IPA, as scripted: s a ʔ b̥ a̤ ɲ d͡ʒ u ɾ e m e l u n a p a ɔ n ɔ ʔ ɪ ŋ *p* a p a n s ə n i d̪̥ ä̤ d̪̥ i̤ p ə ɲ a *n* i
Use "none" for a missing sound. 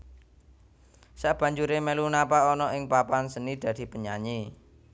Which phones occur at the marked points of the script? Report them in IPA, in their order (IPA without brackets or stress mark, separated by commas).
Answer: p, ɲ